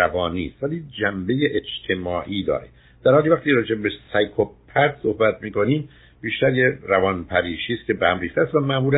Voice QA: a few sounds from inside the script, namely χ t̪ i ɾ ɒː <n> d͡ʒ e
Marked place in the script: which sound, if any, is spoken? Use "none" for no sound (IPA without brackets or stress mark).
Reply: none